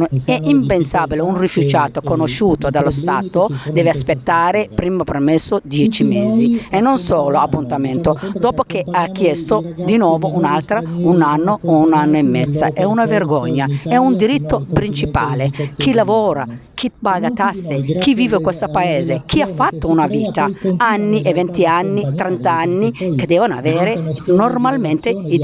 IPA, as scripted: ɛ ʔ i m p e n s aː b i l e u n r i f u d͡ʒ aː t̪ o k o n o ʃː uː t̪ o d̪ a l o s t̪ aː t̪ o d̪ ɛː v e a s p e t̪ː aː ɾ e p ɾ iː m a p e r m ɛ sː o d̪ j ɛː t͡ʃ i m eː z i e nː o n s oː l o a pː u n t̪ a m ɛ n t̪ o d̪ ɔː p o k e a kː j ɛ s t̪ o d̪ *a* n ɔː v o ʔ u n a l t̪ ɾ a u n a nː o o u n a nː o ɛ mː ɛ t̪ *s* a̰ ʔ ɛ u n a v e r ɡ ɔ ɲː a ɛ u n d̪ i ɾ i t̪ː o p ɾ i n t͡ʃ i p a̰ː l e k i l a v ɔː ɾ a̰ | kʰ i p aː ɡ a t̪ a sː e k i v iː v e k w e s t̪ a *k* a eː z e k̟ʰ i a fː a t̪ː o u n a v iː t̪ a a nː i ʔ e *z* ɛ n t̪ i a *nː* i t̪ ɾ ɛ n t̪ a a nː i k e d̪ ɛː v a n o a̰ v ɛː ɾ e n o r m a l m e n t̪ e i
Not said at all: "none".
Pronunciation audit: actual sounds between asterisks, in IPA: i, sː, p, v, nː

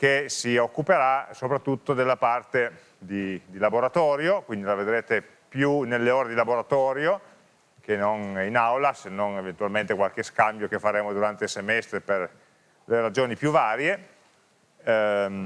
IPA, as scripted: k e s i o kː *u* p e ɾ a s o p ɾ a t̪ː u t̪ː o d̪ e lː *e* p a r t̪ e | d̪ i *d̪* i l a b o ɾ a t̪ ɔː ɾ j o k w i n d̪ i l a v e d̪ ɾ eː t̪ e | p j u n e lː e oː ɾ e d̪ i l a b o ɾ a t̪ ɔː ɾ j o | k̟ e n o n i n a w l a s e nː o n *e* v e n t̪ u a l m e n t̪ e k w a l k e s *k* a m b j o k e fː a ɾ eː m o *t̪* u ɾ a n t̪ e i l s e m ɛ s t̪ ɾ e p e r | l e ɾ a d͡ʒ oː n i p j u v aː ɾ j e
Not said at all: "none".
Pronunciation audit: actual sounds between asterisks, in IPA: u, a, d̪, e, k, d̪

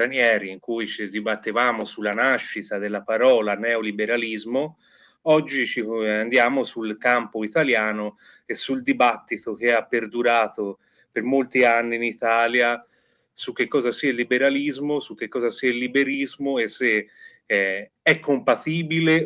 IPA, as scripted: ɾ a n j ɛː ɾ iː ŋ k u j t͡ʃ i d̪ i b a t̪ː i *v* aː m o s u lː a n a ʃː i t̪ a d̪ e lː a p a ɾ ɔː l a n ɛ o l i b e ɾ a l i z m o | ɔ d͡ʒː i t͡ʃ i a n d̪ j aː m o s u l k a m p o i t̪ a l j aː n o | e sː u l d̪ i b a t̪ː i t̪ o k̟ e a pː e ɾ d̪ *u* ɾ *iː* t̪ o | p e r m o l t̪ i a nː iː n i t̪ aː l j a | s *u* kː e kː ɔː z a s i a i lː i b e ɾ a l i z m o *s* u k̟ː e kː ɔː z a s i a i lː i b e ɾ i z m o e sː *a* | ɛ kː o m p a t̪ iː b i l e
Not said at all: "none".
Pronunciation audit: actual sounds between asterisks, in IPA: v, u, aː, u, s, e

